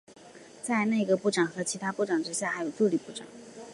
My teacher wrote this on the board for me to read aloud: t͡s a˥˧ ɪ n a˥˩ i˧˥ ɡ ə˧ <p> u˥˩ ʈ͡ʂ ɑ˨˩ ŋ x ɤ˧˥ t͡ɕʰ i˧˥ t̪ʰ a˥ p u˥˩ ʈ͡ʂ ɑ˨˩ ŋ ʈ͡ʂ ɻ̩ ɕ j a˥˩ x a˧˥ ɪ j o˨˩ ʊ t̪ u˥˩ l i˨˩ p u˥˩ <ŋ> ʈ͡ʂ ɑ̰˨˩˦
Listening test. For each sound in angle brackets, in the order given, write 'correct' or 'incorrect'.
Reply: correct, incorrect: none

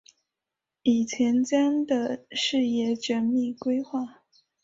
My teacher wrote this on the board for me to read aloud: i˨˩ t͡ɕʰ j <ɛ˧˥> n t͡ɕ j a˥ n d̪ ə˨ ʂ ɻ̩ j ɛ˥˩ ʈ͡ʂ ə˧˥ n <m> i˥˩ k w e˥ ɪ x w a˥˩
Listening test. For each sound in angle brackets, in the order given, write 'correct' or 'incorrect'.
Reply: correct, correct

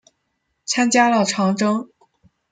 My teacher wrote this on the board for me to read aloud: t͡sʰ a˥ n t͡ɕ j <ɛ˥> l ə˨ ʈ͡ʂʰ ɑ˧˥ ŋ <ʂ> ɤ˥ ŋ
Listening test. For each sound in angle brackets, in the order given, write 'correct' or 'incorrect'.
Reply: incorrect: a˥, incorrect: ʈ͡ʂ

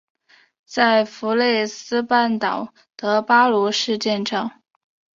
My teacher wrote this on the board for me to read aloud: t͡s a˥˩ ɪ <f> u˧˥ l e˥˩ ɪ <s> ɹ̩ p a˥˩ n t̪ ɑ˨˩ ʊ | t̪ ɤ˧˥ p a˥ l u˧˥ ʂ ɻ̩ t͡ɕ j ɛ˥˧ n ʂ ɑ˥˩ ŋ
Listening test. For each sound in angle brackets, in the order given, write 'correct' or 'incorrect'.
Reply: correct, correct

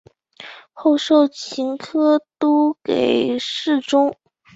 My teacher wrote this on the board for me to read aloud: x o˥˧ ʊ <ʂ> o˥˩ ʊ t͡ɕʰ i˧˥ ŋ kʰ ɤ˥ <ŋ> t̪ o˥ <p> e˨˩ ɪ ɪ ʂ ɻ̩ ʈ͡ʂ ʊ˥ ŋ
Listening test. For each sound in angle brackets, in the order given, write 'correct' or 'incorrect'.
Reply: correct, incorrect: none, incorrect: k

